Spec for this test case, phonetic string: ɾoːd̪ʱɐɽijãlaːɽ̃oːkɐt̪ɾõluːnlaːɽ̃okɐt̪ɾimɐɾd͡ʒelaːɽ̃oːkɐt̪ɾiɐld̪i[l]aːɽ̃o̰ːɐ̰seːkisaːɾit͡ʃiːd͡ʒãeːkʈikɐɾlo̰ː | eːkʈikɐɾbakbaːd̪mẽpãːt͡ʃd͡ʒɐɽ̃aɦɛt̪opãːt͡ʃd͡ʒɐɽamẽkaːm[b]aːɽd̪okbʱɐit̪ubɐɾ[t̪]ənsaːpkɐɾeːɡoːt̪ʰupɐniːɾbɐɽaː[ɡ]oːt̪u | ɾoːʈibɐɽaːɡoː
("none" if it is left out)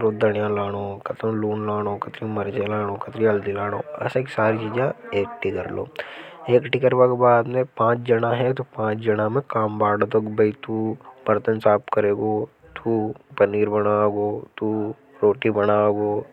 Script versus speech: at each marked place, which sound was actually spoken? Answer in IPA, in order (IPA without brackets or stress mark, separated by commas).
l, b, t̪, ɡ